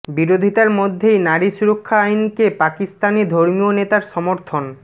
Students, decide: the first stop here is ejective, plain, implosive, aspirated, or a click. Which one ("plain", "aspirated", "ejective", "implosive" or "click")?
plain